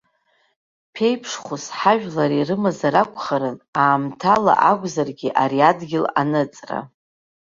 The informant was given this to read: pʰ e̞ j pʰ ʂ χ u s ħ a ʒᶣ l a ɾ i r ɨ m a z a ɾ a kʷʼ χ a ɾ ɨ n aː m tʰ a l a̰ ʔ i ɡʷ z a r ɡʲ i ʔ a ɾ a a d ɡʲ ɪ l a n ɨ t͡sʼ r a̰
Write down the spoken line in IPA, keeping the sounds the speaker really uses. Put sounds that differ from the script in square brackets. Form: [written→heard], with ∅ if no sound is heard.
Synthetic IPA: pʰ e̞ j pʰ ʂ χ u s ħ a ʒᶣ l a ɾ i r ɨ m a z a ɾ a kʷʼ χ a ɾ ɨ n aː m tʰ a l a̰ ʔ [i→a] ɡʷ z a r ɡʲ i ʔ a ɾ [a→i] a d ɡʲ ɪ l a n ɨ t͡sʼ r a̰